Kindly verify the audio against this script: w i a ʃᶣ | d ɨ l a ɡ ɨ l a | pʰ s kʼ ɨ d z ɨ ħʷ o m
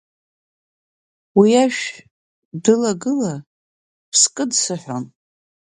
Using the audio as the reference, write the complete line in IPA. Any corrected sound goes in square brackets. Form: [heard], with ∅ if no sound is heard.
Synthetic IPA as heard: w i a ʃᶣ | d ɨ l a ɡ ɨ l a | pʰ s kʼ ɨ d [s] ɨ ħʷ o [n]